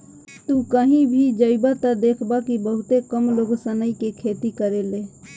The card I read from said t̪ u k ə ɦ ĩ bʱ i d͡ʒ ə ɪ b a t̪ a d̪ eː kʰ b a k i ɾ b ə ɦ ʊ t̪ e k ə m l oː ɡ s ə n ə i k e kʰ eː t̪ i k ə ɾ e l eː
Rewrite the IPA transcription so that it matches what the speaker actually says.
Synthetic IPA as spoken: t̪ u k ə ɦ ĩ bʱ i d͡ʒ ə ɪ b a t̪ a d̪ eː kʰ b a k i b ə ɦ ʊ t̪ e k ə m l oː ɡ s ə n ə i k e kʰ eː t̪ i k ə ɾ e l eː